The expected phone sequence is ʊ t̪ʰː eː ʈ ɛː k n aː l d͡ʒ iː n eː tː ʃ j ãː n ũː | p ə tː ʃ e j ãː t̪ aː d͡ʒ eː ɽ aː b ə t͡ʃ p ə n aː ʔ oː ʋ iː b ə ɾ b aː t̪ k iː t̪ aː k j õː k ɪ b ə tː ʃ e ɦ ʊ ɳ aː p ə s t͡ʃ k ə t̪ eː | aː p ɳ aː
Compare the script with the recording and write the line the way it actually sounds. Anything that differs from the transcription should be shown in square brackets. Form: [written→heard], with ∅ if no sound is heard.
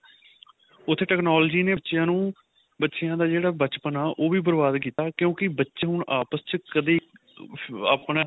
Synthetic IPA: ʊ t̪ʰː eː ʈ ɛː k n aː l d͡ʒ iː n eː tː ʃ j ãː n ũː | [p→b] ə tː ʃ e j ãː [t̪→d̪] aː d͡ʒ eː ɽ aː b ə t͡ʃ p ə n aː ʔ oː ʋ iː b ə ɾ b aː [t̪→d̪] k iː t̪ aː k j õː k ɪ b ə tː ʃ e ɦ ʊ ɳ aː p ə s t͡ʃ k ə [t̪→d̪] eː | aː p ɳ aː